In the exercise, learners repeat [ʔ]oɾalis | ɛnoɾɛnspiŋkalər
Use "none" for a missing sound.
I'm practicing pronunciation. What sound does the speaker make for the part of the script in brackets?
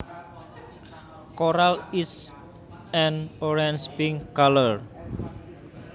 k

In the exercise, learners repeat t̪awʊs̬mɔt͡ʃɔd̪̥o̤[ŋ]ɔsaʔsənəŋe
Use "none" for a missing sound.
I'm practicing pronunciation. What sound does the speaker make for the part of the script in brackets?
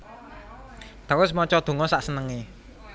ŋ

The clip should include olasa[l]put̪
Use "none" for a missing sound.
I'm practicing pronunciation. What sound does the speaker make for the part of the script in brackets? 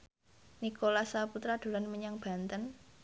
none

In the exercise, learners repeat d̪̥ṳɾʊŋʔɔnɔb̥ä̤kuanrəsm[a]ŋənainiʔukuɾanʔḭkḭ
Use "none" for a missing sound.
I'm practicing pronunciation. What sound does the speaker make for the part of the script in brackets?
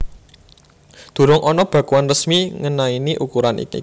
i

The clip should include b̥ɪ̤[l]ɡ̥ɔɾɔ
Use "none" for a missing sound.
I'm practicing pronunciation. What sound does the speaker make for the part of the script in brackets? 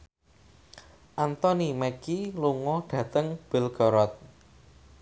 l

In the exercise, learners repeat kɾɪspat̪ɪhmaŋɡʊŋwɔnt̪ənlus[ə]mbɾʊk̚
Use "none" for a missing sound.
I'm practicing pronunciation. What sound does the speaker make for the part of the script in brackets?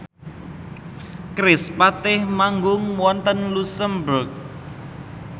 ə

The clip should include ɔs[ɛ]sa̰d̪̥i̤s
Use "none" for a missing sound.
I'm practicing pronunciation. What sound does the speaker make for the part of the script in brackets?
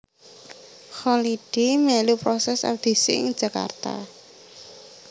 ɛ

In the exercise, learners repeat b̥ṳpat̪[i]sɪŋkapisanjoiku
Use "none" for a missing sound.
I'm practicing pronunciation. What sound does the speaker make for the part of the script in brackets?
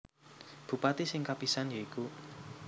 i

